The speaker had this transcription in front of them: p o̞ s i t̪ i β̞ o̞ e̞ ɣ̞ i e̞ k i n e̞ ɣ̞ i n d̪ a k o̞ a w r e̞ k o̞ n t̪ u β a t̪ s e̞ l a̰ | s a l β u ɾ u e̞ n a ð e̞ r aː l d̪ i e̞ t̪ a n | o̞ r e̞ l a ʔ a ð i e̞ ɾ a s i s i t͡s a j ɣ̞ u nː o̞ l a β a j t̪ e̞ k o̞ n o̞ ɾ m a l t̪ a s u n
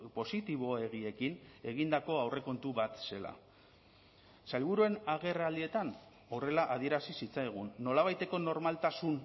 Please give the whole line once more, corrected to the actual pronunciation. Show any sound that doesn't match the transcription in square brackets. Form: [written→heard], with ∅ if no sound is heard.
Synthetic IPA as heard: p o̞ s i t̪ i β̞ o̞ e̞ ɣ̞ i e̞ k i n e̞ ɣ̞ i n d̪ a k o̞ a w r e̞ k o̞ n t̪ u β a t̪ s e̞ l a̰ | s a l β u ɾ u e̞ n a [ð→ɣ] e̞ r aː l d̪ i e̞ t̪ a n | o̞ r e̞ l a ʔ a ð i e̞ ɾ a s i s i t͡s a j ɣ̞ u nː o̞ l a β a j t̪ e̞ k o̞ n o̞ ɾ m a l t̪ a s u n